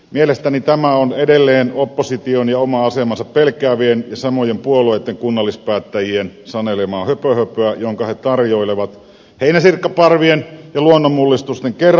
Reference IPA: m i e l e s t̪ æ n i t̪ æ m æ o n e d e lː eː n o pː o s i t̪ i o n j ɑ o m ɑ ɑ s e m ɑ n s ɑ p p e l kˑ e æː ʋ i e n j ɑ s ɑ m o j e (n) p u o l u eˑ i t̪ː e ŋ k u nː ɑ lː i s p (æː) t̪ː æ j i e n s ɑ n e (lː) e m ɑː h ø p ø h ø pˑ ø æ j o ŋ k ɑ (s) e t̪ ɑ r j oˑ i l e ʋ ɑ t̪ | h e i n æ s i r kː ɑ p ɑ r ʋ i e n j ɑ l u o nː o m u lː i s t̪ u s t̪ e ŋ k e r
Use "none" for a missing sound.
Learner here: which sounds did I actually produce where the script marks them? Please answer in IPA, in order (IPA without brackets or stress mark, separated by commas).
m, æː, l, h